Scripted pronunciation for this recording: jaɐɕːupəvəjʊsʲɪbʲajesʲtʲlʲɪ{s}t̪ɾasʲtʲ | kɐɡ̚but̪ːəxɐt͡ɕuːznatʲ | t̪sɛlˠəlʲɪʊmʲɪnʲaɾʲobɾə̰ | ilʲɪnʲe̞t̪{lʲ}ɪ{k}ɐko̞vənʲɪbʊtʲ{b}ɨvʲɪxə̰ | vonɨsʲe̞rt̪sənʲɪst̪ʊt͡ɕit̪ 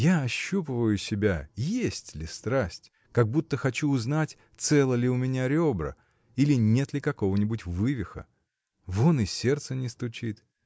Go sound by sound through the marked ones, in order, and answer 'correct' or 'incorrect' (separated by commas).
correct, correct, correct, incorrect